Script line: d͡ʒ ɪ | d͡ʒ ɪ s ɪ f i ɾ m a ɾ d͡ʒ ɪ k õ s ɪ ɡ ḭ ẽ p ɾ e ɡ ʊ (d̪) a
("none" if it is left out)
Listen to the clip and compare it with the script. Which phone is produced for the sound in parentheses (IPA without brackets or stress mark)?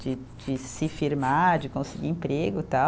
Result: t̪